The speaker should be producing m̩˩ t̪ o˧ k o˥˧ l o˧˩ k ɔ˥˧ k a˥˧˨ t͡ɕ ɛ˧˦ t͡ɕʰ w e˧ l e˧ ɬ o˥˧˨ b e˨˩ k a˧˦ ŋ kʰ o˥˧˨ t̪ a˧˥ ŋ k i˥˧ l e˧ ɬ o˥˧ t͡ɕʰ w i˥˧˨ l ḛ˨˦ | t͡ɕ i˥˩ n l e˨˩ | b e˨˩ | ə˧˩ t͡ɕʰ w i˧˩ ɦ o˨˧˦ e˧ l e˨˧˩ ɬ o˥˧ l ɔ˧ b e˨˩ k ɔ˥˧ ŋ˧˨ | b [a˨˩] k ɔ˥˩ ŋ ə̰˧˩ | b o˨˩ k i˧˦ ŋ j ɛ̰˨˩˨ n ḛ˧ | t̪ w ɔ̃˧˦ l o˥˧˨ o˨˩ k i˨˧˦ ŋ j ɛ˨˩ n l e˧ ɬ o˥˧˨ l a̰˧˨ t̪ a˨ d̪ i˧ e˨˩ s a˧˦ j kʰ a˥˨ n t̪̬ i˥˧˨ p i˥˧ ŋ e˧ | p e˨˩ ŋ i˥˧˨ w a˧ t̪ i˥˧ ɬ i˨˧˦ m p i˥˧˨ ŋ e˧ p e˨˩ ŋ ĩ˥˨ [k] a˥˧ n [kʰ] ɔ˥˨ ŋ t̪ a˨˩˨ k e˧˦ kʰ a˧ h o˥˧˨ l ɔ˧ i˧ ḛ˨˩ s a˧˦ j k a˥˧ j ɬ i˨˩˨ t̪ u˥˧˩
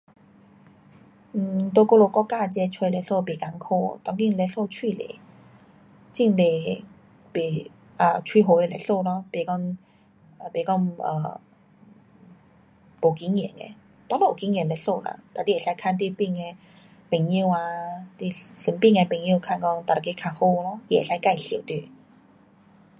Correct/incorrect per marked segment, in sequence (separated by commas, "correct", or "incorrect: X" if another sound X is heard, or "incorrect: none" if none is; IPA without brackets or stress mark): incorrect: e˨˩, incorrect: kʰ, incorrect: k